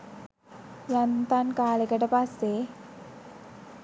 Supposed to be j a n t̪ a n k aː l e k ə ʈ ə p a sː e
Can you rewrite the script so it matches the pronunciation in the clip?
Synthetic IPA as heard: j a n t̪ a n k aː l e k ə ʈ ə p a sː e